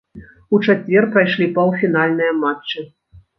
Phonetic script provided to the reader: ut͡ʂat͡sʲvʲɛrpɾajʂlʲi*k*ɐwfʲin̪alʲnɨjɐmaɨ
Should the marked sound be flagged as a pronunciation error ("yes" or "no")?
yes